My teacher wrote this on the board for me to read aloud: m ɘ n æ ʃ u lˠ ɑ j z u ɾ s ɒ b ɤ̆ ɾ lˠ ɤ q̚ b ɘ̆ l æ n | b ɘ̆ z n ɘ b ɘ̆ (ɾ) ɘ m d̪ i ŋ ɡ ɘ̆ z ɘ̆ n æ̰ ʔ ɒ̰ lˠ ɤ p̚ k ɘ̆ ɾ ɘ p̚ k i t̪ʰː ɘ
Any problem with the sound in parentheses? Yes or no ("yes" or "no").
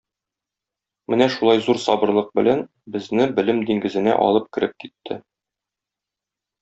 yes